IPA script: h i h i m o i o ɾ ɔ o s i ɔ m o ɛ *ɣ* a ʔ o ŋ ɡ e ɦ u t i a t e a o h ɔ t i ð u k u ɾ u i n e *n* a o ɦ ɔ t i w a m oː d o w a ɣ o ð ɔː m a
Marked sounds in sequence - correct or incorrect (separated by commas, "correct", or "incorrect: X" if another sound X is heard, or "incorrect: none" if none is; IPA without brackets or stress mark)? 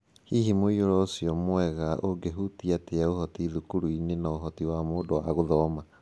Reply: correct, correct